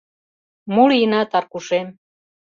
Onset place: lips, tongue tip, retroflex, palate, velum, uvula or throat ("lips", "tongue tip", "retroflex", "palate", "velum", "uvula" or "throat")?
lips